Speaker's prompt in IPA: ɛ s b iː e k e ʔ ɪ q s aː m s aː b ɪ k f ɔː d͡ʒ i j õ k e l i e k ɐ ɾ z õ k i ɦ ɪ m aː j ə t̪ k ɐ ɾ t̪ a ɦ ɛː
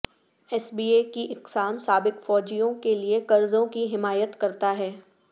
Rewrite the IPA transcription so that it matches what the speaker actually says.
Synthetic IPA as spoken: ɛ s b iː e k i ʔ ɪ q s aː m s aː b ɪ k f ɔː d͡ʒ i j õ k e l i e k ɐ ɾ z õ k i ɦ ɪ m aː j ə t̪ k ɐ ɾ t̪ a ɦ ɛː